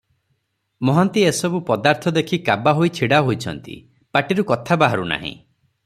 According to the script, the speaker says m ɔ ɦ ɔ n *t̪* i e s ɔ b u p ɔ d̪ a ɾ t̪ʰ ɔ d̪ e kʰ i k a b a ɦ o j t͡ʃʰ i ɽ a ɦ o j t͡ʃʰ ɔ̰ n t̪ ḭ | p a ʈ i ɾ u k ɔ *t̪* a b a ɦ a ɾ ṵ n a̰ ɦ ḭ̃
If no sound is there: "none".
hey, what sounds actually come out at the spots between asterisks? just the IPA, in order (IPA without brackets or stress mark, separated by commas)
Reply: t̪, t̪ʰ